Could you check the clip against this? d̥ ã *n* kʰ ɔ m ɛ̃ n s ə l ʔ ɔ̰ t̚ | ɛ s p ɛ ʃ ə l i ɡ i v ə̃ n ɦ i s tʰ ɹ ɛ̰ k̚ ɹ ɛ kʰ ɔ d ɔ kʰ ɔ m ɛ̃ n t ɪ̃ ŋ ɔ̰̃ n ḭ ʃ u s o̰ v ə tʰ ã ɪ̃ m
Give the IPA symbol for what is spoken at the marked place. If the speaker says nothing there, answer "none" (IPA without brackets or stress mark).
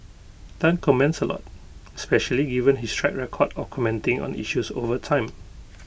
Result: n